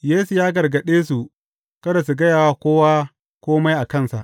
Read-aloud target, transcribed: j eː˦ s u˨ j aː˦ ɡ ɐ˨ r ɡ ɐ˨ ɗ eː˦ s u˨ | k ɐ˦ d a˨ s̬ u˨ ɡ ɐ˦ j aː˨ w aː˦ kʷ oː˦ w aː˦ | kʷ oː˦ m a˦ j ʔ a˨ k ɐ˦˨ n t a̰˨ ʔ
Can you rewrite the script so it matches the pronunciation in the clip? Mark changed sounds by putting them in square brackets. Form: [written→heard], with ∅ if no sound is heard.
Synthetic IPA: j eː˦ s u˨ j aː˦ ɡ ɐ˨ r ɡ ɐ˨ ɗ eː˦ s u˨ | k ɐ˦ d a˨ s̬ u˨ ɡ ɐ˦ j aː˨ w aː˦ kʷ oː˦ w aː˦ | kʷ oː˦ m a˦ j ʔ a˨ k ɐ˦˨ n [t→s] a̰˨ ʔ